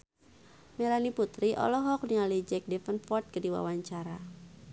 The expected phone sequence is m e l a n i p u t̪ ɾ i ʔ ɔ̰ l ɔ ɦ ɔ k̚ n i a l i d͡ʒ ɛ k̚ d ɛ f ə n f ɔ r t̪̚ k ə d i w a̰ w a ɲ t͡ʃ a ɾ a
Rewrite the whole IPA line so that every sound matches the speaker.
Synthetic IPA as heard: m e l a n i p u t̪ ɾ i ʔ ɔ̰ l ɔ ɦ ɔ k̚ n i a l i d͡ʒ ɛ k̚ d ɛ f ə n f ɔ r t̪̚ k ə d i w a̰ w a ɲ t͡ʃ a ɾ a

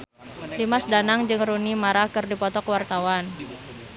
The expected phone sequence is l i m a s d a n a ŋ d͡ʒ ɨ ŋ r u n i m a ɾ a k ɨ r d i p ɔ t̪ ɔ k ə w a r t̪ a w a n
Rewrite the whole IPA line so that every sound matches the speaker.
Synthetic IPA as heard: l i m a s d a n a ŋ d͡ʒ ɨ ŋ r u n i m a ɾ a k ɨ r d i p ɔ t̪ ɔ k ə w a r t̪ a w a n

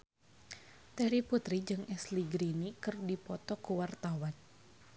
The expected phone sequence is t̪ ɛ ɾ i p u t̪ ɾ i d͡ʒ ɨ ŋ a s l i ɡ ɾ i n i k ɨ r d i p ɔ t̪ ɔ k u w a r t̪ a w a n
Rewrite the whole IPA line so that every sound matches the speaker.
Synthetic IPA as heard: t̪ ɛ ɾ i p u t̪ ɾ i d͡ʒ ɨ ŋ ɛ s l i ɡ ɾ i n i k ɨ r d i p ɔ t̪ ɔ k u w a r t̪ a w a n

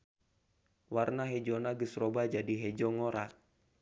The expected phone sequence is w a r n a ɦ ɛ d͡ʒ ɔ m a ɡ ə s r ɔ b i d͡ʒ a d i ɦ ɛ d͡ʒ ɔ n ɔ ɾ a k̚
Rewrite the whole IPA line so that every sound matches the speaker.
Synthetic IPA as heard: w a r n a ɦ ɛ d͡ʒ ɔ n a ɡ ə s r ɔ b a d͡ʒ a d i ɦ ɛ d͡ʒ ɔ ŋ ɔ ɾ a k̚

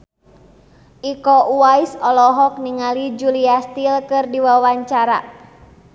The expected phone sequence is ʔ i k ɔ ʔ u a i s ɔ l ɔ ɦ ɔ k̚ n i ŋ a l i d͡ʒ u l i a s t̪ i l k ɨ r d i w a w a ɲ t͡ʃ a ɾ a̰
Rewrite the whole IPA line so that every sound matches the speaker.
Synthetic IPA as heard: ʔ i k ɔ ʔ u a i s ɔ l ɔ ɦ ɔ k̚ n i ŋ a l i d͡ʒ u l i a s t̪ i l k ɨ r d i w a w a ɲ t͡ʃ a ɾ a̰

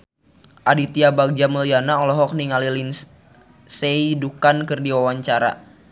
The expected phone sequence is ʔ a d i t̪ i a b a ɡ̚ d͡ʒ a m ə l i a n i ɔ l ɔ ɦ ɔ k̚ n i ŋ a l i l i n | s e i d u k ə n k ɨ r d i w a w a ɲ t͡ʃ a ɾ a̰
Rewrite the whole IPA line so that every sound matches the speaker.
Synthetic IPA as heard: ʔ a d i t̪ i a b a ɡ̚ d͡ʒ a m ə l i a n a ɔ l ɔ ɦ ɔ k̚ n i ŋ a l i l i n | s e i d u k a n k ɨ r d i w a w a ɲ t͡ʃ a ɾ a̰

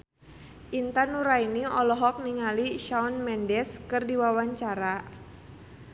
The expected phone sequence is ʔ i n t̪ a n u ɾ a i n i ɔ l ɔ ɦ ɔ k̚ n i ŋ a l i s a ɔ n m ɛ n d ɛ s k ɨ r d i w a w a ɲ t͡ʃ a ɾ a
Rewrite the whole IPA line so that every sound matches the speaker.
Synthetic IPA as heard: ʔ i n t̪ a n u ɾ a i n i ɔ l ɔ ɦ ɔ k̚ n i ŋ a l i ʃ a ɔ n m ɛ n d ɛ s k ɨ r d i w a w a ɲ t͡ʃ a ɾ a

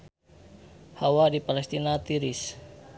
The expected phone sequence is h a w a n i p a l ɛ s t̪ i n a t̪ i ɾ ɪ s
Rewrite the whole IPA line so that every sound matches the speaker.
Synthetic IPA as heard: h a w a d i p a l ɛ s t̪ i n a t̪ i ɾ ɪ s

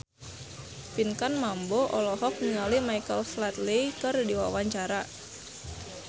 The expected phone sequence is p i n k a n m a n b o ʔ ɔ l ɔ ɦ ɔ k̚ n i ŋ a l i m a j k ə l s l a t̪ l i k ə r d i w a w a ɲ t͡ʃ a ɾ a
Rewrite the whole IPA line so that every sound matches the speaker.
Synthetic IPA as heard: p i n k a n m a m b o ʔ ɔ l ɔ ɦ ɔ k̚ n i ŋ a l i m a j k ə l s l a t̪ l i k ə r d i w a w a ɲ t͡ʃ a ɾ a

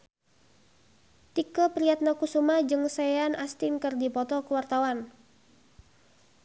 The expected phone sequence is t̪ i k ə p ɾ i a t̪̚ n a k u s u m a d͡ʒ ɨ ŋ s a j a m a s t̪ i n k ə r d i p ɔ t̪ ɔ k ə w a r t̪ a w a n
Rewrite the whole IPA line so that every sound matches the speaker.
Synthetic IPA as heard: t̪ i k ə p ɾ i a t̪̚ n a k u s u m a d͡ʒ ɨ ŋ s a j a n a s t̪ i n k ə r d i p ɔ t̪ ɔ k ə w a r t̪ a w a n

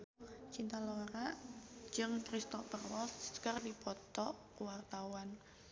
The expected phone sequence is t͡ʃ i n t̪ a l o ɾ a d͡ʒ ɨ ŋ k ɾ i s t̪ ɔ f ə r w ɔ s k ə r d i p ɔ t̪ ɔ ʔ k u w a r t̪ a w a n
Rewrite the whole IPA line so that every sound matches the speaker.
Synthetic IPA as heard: t͡ʃ i n t̪ a l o ɾ a d͡ʒ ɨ ŋ k ɾ i s t̪ ɔ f ə r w ɔ s k ə r d i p ɔ t̪ ɔ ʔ k u w a r t̪ a w a n

